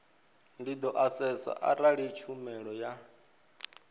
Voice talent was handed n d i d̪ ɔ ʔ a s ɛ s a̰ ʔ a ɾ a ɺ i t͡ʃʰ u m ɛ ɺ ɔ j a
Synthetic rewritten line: n d i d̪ ɔ ʔ a s ɛ s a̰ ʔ a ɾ a ɺ i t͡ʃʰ u m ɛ ɺ ɔ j a